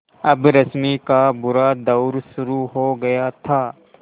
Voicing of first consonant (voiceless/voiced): voiced